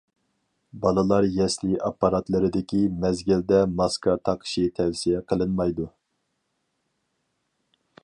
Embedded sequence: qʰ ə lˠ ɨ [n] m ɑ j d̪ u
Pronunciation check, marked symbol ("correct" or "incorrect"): correct